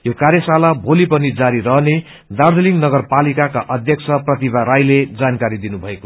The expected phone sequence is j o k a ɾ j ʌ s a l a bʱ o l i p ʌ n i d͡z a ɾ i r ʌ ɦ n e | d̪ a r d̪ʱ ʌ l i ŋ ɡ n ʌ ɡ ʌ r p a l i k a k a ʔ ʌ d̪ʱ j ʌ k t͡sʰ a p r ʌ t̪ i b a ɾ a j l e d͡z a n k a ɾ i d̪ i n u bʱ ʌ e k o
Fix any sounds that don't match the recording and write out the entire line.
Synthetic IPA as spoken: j o k a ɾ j ʌ s a l a bʱ o l i p ʌ n i d͡z a ɾ i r ʌ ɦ n e | d̪ a r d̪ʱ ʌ l i ŋ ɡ n ʌ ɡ ʌ r p a l i k a k a ʔ ʌ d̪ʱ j ʌ k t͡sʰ ʌ p r ʌ t̪ i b a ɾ a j l e d͡z a n k a ɾ i d̪ i n u bʱ ʌ e k o